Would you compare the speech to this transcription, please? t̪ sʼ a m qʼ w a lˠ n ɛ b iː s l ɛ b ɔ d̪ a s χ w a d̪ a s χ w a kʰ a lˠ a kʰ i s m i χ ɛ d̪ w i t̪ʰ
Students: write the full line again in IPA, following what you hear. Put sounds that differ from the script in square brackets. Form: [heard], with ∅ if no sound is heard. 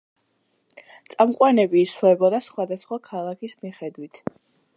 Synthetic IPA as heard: t̪ sʼ a m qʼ w a [∅] n ɛ b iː s l ɛ b ɔ d̪ a s χ w a d̪ a s χ w a kʰ a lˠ a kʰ i s m i χ ɛ d̪ w i t̪ʰ